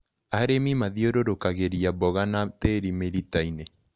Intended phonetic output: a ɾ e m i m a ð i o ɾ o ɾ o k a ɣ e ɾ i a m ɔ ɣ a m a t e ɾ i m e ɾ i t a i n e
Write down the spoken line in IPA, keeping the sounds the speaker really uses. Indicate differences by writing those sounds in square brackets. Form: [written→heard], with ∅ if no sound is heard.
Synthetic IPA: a ɾ e m i m a ð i o ɾ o ɾ o k a ɣ e ɾ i a [m→b] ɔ ɣ a [m→n] a t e ɾ i m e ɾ i t a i n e